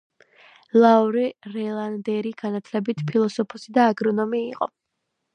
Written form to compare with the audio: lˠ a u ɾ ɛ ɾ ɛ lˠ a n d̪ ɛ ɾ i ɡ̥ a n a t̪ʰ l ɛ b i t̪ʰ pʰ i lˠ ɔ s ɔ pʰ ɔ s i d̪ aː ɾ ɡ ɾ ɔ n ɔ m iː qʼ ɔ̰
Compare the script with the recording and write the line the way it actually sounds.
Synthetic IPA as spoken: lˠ a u ɾ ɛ ɾ ɛ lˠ a n d̪ ɛ ɾ i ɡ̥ a n a t̪ʰ l ɛ b i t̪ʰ pʰ i lˠ ɔ s ɔ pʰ ɔ s i d̪ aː ɡ ɾ ɔ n ɔ m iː qʼ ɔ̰